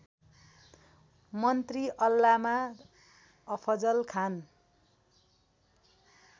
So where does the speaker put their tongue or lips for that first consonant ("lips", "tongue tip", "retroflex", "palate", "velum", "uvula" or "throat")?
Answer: lips